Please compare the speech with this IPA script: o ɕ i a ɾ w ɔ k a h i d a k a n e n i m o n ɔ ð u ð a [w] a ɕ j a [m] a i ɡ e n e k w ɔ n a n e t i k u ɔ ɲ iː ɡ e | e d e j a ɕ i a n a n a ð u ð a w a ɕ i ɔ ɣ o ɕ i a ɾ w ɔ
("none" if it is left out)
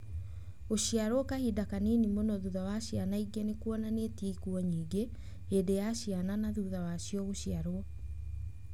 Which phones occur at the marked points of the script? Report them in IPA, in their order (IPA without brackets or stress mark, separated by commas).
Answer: w, n